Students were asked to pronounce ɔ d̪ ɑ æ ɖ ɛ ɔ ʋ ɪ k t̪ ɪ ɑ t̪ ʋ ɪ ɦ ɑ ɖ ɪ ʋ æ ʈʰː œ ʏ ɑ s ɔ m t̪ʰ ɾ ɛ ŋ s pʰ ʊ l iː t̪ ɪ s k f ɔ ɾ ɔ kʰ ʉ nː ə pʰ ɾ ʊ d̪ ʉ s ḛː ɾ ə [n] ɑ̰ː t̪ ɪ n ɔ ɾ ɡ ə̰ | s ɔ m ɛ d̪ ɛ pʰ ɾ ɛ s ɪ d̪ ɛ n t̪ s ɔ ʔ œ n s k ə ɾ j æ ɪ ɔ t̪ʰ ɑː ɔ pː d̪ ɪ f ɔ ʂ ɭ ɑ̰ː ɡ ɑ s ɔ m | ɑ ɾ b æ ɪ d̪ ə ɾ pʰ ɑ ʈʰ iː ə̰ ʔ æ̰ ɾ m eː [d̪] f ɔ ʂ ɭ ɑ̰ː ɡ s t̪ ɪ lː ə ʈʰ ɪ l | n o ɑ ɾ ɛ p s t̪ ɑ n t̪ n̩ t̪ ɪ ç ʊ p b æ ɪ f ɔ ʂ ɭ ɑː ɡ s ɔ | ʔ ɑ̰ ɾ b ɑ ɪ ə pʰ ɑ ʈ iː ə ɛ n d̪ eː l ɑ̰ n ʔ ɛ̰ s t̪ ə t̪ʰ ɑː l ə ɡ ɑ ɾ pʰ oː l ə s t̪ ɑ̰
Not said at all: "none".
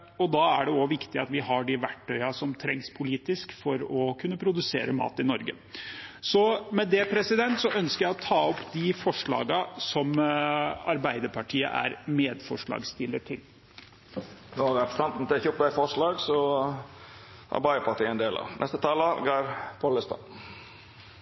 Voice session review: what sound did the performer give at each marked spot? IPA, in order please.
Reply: m, d̪

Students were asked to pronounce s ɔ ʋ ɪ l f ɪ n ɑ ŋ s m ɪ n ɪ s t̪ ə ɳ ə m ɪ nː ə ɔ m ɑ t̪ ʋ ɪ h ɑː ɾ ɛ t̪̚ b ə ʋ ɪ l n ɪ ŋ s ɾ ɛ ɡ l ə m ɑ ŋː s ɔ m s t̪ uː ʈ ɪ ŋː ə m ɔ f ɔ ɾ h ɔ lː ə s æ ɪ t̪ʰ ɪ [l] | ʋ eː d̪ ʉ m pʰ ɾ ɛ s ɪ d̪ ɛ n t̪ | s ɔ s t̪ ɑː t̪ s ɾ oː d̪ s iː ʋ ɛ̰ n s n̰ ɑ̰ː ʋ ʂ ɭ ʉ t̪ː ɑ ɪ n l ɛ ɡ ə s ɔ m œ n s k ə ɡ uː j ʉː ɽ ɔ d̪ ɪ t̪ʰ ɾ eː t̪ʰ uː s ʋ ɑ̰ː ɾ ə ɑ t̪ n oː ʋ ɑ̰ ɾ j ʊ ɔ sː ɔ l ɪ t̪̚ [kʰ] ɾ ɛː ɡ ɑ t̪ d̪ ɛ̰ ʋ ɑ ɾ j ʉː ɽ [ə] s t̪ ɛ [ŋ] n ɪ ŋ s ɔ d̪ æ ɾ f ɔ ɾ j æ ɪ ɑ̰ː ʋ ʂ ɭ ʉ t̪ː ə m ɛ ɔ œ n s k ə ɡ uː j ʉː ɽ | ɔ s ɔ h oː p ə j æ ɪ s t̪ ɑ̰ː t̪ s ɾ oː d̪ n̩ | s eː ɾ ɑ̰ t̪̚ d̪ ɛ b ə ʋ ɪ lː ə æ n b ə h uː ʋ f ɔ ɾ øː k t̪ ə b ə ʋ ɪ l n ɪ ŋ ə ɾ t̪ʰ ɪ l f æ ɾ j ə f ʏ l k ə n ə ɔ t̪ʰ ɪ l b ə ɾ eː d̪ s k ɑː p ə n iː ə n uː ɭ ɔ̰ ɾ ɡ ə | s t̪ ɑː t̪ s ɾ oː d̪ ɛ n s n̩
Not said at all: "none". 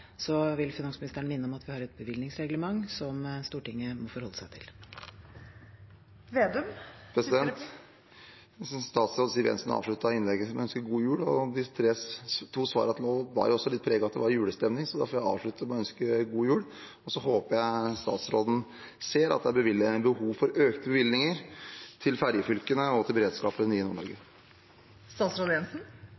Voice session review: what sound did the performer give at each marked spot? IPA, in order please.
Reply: l, pʰ, ə, m

